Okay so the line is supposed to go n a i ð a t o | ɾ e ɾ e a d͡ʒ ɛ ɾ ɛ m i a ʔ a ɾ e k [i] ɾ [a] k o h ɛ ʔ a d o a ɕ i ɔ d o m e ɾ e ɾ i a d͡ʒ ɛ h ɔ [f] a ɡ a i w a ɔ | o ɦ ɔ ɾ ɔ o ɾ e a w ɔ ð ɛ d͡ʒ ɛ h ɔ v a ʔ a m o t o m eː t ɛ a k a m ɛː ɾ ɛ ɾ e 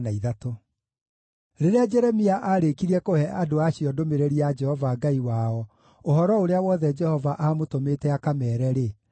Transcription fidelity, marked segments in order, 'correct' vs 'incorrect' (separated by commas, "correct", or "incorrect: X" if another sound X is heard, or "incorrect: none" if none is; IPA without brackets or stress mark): correct, incorrect: ɛ, incorrect: v